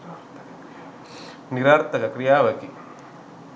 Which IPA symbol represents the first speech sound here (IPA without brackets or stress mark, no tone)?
n